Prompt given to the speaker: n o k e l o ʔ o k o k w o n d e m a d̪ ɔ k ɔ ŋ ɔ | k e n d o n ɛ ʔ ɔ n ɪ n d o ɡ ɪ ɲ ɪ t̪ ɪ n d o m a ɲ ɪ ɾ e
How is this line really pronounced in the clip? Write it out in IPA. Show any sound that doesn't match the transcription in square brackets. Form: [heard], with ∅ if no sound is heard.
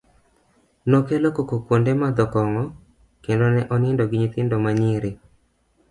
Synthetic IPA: n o k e l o [k] o k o k w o n d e m a d̪ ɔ k ɔ ŋ ɔ | k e n d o n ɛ ʔ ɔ n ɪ n d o ɡ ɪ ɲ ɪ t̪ ɪ n d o m a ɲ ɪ ɾ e